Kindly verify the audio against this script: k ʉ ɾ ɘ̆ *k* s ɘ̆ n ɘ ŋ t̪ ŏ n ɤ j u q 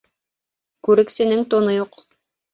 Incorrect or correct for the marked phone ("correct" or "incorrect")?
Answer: correct